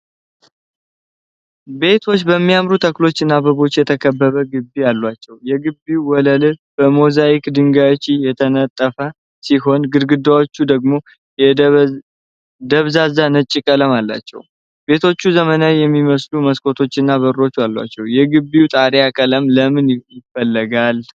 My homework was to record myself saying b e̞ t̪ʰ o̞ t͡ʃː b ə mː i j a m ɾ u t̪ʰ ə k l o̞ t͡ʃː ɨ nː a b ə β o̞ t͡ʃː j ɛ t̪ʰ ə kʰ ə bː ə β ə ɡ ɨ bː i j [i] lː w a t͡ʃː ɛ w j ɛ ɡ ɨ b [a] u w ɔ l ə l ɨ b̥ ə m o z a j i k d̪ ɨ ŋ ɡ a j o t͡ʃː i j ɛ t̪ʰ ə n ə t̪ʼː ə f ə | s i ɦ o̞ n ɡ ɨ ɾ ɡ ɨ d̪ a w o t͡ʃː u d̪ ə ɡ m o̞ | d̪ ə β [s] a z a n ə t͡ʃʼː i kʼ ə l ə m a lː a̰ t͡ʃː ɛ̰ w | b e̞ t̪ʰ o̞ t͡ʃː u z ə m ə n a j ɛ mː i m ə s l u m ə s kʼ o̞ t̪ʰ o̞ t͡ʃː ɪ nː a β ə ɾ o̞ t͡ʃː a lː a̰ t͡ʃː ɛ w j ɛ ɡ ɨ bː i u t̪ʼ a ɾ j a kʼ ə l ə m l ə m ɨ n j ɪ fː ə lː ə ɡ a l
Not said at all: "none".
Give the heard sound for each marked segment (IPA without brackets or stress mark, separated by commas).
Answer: a, i, z